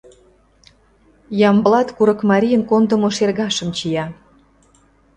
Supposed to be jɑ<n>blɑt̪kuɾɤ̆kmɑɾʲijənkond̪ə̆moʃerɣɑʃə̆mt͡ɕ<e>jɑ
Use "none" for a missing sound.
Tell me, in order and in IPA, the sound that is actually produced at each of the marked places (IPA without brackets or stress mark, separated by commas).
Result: m, i